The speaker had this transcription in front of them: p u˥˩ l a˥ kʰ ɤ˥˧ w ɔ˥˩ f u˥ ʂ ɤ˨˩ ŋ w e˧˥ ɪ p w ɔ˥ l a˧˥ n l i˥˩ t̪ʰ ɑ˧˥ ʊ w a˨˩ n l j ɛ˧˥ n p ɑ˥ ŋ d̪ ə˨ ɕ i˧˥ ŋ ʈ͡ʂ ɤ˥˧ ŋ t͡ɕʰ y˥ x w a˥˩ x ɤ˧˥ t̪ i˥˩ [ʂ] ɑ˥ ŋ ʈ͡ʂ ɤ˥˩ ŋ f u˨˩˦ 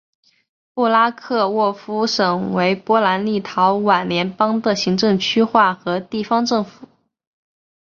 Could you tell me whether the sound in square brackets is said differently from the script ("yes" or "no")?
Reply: yes